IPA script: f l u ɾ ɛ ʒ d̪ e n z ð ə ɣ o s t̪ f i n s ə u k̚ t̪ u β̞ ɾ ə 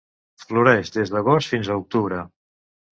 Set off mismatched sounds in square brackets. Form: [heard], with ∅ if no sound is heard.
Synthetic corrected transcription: f l u ɾ ɛ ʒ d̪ e [∅] z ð ə ɣ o s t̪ f i n [z] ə u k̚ t̪ u β̞ ɾ ə